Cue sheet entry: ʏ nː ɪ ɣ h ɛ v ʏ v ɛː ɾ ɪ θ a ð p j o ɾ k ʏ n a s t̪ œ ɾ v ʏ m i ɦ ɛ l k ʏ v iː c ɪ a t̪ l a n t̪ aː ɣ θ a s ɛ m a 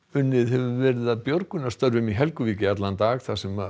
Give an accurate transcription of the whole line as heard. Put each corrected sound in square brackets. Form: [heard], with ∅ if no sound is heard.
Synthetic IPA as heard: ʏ nː ɪ [ð] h ɛ v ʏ v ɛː ɾ ɪ [ð] a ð p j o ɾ k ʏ n a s t̪ œ ɾ v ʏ m i ɦ ɛ l k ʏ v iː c ɪ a t̪ l a n t̪ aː ɣ θ a s ɛ m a

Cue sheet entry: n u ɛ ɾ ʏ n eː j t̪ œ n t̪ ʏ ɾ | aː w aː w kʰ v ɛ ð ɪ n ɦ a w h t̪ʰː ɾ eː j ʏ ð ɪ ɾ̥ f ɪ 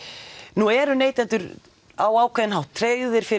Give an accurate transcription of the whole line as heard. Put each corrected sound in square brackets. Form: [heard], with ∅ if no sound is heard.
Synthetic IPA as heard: n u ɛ ɾ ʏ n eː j t̪ [ɛ] n t̪ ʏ ɾ | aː w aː w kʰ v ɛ ð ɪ n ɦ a w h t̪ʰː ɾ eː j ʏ ð ɪ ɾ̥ f ɪ

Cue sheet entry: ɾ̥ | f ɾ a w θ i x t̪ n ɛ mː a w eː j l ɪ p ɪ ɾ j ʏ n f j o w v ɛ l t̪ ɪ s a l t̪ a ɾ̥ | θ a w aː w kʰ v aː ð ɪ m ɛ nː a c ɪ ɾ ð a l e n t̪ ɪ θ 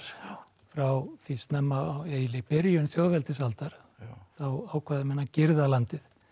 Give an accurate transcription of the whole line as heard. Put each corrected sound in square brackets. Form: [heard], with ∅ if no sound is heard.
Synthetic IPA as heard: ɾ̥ | f ɾ a w θ i [s] t̪ n ɛ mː a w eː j l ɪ p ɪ ɾ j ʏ n [θ] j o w v ɛ l t̪ ɪ s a l t̪ a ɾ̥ | θ a w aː w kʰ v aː ð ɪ m ɛ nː a c ɪ ɾ ð a l [a] n t̪ ɪ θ

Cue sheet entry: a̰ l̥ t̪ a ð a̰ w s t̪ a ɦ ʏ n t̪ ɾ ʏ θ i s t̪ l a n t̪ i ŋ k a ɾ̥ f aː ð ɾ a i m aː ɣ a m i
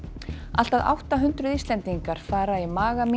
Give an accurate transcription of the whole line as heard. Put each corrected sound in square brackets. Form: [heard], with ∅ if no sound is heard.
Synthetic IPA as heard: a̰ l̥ t̪ a ð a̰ w [h] t̪ a ɦ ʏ n t̪ ɾ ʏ [ð] i s t̪ l [ɛ] n t̪ i ŋ k a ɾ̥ f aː [∅] ɾ a i m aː ɣ a m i

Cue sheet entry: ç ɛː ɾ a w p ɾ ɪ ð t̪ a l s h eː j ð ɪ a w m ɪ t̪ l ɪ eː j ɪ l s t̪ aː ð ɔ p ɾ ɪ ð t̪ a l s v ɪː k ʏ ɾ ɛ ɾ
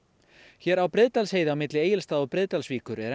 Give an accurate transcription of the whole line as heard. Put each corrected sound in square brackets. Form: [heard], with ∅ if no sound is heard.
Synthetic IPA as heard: ç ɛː ɾ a w p ɾ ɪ ð t̪ a l s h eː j ð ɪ a w m ɪ t̪ l ɪ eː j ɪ l s t̪ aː ð ɔ p ɾ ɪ ð t̪ a l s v [iː] k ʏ ɾ ɛ ɾ

